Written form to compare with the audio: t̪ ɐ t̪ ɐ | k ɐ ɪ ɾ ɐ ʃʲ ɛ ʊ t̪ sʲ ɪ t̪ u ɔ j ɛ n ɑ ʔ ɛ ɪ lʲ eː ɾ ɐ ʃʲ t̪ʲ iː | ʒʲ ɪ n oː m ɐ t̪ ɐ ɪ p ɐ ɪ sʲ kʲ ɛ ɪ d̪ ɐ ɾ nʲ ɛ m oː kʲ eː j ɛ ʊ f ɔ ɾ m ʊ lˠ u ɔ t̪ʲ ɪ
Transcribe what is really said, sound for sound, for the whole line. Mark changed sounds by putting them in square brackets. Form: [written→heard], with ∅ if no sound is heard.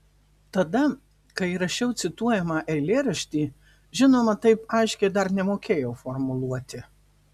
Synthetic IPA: t̪ ɐ [t̪→d̪] ɐ | k ɐ ɪ ɾ ɐ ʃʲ ɛ ʊ t̪ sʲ ɪ t̪ u ɔ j ɛ [n→m] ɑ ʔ ɛ ɪ lʲ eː ɾ ɐ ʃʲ t̪ʲ iː | ʒʲ ɪ n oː m ɐ t̪ ɐ ɪ p ɐ ɪ [sʲ→ʃʲ] kʲ ɛ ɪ d̪ ɐ ɾ nʲ ɛ m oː kʲ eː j ɛ ʊ f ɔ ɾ m ʊ lˠ u ɔ t̪ʲ ɪ